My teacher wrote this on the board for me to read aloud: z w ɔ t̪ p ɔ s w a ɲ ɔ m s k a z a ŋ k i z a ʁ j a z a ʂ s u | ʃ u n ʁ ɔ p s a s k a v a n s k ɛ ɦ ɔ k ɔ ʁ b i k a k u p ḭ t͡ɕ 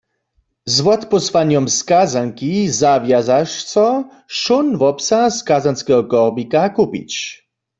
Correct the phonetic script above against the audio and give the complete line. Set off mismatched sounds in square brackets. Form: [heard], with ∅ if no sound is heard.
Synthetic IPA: z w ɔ t̪ p ɔ s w a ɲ ɔ m s k a z a ŋ k i z a [v] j a z a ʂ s [ɔ] | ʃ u n [v] ɔ p s a s k a [z] a n s k ɛ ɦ ɔ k ɔ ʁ b i k a k u p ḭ t͡ɕ